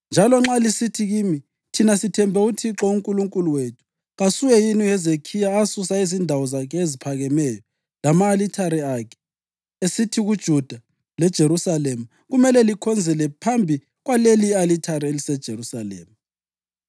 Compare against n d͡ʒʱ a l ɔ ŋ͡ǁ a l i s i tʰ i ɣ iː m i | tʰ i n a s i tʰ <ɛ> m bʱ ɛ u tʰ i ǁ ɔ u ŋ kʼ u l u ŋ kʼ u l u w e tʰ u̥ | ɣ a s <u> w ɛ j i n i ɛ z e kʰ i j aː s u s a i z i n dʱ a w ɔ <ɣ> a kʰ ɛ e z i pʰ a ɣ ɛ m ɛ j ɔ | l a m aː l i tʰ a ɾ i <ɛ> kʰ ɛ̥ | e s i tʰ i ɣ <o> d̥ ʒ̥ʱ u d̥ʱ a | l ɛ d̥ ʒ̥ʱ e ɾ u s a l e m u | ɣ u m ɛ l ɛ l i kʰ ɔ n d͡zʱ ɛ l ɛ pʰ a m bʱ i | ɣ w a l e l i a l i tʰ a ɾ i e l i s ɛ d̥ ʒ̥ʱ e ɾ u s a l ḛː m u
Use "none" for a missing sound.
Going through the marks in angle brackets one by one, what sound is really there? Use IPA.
ɛ, u, z, a, u

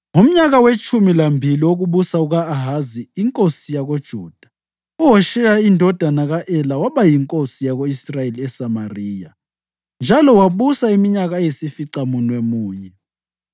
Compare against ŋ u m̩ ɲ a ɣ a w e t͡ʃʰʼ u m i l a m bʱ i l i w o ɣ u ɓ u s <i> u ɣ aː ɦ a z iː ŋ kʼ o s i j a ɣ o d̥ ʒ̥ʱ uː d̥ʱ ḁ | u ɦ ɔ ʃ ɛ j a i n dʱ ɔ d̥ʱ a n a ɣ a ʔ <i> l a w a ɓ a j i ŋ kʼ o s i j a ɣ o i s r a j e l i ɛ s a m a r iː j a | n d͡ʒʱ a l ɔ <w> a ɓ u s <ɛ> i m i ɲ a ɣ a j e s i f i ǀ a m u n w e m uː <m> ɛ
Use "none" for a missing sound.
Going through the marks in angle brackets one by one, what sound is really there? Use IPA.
a, ɛ, w, a, ɲ

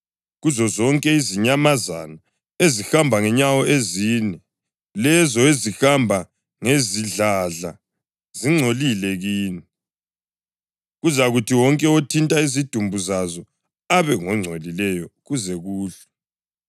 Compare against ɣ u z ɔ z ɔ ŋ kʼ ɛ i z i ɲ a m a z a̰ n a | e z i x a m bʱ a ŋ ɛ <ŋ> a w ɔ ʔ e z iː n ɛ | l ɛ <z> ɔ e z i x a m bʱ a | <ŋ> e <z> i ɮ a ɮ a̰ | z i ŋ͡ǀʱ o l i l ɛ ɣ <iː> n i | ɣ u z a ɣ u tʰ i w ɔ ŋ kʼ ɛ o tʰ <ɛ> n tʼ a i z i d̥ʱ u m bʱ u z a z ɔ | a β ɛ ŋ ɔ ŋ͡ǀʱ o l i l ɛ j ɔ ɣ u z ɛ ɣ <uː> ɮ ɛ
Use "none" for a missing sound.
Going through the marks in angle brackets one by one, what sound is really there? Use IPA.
ɲ, z, ŋ, z, iː, i, uː

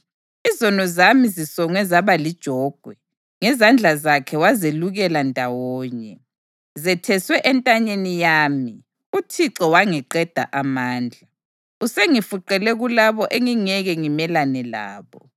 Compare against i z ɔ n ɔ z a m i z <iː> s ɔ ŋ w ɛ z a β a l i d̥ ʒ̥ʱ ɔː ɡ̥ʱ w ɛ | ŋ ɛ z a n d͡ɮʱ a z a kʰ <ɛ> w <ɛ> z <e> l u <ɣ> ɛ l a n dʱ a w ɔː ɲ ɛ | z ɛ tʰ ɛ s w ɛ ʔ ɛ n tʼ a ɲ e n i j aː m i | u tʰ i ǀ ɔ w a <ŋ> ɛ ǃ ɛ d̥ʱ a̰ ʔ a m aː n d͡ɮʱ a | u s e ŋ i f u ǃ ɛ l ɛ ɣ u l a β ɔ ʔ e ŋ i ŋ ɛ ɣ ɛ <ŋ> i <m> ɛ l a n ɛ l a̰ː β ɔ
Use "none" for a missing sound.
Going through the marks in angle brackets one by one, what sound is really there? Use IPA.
i, ɛ, a, e, ɣ, ŋ, ŋ, m

